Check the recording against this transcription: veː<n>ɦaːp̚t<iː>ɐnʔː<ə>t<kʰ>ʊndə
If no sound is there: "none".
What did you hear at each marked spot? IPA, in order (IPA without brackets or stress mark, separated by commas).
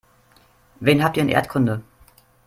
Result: n, iː, ɐ, kʰ